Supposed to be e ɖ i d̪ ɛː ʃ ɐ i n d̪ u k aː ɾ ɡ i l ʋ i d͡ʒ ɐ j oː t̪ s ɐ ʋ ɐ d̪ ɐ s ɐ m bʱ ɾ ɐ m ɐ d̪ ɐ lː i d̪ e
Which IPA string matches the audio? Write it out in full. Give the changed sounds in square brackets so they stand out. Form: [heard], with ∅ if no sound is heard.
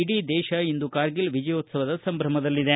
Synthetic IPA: [i] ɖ i d̪ ɛː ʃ ɐ i n d̪ u k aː ɾ ɡ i l ʋ i d͡ʒ ɐ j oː t̪ s ɐ ʋ ɐ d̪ ɐ s ɐ m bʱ ɾ ɐ m ɐ d̪ ɐ lː i d̪ e